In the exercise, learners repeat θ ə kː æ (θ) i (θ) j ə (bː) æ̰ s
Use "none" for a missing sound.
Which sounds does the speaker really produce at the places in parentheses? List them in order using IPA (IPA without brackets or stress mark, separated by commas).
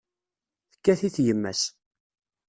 θ, θ, mː